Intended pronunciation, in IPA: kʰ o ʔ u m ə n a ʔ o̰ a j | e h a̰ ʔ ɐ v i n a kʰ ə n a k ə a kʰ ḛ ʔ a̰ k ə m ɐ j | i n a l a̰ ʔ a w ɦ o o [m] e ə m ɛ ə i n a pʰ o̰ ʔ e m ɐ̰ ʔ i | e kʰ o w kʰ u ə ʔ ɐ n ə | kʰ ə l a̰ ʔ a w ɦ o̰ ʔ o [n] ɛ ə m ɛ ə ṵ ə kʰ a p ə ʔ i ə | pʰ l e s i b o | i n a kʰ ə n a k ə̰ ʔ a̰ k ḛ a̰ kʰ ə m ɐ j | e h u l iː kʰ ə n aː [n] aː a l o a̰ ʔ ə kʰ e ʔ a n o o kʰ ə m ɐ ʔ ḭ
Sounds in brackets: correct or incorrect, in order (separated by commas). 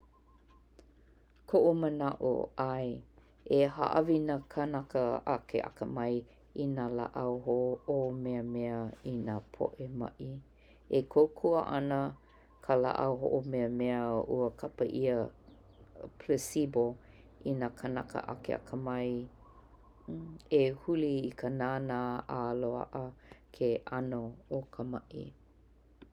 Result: correct, incorrect, correct